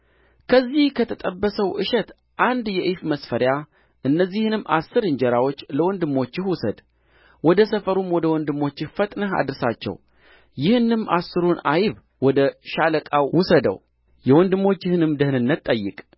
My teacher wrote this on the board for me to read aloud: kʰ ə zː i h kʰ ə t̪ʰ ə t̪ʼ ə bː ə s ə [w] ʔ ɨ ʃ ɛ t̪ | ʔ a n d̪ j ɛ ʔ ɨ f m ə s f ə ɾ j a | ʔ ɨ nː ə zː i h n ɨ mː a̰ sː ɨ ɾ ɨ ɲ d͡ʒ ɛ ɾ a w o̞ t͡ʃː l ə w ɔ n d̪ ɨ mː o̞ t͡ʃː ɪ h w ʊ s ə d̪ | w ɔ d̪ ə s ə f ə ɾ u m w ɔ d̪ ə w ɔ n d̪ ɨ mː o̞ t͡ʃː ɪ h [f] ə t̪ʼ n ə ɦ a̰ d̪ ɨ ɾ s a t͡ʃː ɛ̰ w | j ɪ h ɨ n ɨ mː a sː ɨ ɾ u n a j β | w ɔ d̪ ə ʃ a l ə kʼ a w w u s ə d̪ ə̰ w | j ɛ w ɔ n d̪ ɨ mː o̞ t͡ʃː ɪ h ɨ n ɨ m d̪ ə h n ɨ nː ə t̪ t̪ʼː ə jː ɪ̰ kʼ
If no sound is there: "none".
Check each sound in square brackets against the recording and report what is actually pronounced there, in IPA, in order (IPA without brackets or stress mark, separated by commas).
w, f